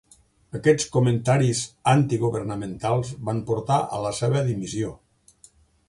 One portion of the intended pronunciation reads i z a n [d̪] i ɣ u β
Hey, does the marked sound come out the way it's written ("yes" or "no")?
no